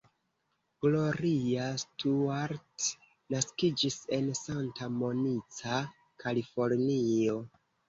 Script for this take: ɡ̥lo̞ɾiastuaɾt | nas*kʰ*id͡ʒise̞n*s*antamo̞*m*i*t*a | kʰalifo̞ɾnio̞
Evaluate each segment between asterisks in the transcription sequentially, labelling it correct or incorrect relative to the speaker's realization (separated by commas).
incorrect, correct, incorrect, incorrect